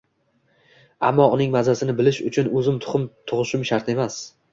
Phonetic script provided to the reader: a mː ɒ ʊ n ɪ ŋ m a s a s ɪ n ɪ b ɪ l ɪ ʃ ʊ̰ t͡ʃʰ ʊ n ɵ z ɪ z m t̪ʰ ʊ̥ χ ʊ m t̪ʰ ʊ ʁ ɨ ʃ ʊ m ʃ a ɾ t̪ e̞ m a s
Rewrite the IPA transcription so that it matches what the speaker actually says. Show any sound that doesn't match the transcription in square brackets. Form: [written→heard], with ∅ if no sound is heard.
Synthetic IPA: a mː ɒ ʊ n ɪ ŋ m a [s→z] a s ɪ n ɪ b ɪ l ɪ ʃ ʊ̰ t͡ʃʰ ʊ n ɵ z ɪ [z→∅] m t̪ʰ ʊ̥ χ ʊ m t̪ʰ ʊ ʁ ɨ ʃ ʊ m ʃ a ɾ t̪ e̞ m a s